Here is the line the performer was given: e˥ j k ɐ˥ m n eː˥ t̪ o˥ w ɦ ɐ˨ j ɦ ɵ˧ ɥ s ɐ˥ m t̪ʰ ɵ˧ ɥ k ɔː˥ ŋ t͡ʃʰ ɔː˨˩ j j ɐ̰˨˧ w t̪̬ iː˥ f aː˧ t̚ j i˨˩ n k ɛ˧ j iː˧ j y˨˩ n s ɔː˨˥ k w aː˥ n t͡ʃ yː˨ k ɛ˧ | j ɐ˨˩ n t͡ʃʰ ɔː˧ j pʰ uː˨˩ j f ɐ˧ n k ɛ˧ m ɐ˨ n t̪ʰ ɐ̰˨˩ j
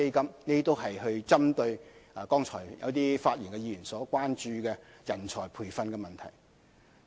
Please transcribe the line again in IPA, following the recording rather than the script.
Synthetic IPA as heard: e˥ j k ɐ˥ m n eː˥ t̪ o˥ w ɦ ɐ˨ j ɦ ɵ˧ ɥ t͡s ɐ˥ m t̪ ɵ˧ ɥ k ɔː˥ ŋ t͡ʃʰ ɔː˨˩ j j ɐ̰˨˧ w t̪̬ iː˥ f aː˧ t̚ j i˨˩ n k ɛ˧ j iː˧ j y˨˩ n s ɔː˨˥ k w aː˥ n t͡ʃ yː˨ k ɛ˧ | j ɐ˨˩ n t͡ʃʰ ɔː˨˩ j pʰ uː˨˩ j f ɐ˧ n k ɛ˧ m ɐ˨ n t̪ʰ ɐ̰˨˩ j